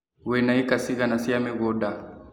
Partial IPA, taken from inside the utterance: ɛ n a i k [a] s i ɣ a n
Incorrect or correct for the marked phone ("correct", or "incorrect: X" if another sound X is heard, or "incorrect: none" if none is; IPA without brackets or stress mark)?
correct